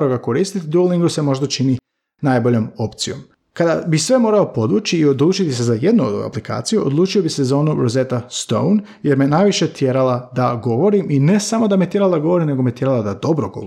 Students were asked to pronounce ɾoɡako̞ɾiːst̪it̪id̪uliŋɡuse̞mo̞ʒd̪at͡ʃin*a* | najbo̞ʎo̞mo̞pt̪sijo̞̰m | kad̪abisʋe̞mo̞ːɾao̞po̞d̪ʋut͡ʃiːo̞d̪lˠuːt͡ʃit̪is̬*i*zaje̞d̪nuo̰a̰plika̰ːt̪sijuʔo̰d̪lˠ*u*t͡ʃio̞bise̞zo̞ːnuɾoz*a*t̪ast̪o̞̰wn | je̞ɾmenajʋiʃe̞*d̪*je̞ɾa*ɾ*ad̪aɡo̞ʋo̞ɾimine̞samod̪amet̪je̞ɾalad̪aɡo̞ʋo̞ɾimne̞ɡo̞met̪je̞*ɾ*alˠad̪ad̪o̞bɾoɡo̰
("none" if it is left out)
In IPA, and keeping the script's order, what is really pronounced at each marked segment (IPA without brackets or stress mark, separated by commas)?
i, e, uː, e, t̪, l, ɾ